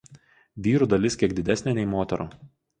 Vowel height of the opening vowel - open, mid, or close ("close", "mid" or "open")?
close